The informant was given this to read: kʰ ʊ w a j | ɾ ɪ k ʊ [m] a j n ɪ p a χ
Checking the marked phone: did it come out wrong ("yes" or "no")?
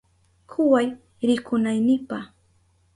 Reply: yes